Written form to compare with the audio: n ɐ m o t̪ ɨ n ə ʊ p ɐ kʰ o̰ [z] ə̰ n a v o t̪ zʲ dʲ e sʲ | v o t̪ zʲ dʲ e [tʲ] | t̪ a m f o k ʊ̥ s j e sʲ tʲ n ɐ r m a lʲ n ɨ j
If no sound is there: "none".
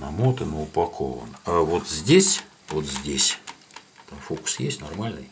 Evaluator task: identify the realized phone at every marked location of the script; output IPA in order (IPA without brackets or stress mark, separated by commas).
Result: v, sʲ